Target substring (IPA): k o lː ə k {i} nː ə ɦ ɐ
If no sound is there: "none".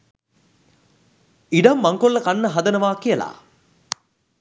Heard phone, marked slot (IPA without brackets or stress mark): a